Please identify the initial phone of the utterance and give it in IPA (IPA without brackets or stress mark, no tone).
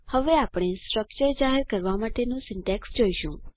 h